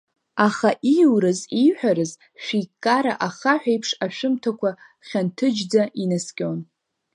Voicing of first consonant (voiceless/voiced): voiceless